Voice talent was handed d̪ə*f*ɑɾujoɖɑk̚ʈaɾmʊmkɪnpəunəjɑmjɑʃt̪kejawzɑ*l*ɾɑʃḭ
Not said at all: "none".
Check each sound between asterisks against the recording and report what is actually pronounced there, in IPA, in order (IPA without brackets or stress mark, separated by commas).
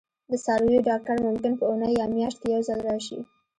s, l